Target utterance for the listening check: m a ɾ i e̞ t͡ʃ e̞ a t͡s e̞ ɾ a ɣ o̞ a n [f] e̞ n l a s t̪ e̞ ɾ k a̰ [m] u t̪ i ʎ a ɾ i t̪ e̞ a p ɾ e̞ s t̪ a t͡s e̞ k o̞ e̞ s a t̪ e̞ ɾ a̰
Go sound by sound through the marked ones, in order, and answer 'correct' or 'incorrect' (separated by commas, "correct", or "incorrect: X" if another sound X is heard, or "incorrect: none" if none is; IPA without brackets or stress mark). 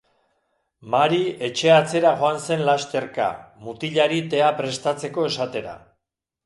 incorrect: s, correct